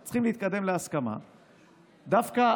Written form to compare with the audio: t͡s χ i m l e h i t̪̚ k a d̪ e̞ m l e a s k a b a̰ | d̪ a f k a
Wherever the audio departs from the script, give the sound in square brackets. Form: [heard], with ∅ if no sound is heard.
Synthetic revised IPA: t͡s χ i m l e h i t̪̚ k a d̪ e̞ m l e a s k a [m] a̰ | d̪ a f k a